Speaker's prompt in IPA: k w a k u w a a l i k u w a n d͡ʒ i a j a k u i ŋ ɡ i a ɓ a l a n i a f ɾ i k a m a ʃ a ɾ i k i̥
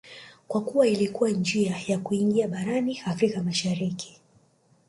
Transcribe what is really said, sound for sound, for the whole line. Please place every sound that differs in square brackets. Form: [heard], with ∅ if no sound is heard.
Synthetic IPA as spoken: k w a k u w a [i] l i k u w a n d͡ʒ i a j a k u i ŋ ɡ i a ɓ a [ɾ] a n i a f ɾ i k a m a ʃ a ɾ i k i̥